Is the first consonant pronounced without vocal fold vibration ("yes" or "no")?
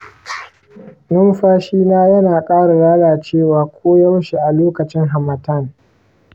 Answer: no